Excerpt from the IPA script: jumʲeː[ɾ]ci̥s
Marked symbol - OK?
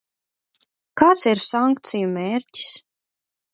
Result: yes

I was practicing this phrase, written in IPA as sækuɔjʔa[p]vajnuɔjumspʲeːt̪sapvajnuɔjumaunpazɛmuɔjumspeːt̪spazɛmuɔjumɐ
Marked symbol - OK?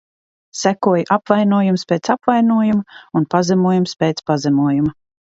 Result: yes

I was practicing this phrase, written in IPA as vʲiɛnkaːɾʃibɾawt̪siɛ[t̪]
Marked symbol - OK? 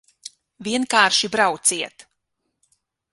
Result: yes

